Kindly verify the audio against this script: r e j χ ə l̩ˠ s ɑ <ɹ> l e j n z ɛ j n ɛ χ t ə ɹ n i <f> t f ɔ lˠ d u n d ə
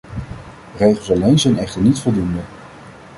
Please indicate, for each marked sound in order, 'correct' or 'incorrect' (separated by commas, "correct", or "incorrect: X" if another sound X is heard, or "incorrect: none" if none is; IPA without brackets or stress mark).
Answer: incorrect: none, incorrect: none